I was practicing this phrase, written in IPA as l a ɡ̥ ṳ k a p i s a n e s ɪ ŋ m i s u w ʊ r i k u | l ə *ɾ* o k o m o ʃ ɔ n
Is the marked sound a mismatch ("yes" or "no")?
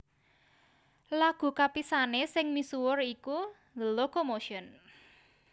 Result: yes